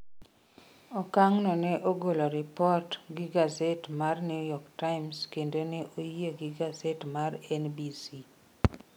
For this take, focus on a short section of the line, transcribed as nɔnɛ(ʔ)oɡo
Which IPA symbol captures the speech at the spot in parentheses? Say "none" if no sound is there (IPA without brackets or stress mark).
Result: ʔ